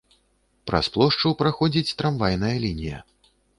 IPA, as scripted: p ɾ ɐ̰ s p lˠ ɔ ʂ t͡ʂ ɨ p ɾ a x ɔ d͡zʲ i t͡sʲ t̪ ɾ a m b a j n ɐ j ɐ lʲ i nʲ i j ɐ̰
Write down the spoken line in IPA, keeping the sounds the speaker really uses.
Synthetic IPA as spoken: p ɾ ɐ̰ s p lˠ ɔ ʂ t͡ʂ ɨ p ɾ a x ɔ d͡zʲ i t͡sʲ t̪ ɾ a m v a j n ɐ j ɐ lʲ i nʲ i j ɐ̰